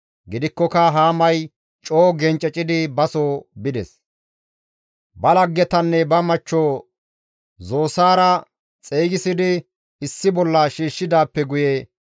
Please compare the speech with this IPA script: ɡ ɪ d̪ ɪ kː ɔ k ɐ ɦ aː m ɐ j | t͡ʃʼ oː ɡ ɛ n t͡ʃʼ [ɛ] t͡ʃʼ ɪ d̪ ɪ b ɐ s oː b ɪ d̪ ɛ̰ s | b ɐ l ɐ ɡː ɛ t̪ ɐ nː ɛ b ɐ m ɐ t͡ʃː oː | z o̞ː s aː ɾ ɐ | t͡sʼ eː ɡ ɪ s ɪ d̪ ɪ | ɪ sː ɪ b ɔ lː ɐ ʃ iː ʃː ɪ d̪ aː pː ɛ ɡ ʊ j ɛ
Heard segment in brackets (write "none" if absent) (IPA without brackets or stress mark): ɛ